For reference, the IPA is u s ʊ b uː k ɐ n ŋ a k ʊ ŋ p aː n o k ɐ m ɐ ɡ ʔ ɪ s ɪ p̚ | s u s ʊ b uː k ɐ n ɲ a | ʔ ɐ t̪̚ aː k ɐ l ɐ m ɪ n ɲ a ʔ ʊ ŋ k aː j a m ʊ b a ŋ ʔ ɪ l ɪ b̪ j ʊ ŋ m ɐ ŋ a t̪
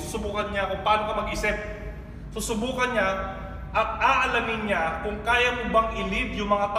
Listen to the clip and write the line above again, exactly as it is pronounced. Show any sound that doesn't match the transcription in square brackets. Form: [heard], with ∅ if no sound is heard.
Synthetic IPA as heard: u s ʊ b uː k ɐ n [ɲ] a k ʊ ŋ p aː n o k ɐ m ɐ ɡ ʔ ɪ s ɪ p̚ | s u s ʊ b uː k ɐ n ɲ a | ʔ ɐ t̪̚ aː [ʔ] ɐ l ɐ m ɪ n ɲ a [k] ʊ ŋ k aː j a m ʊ b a ŋ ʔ ɪ l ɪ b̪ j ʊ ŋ m ɐ ŋ a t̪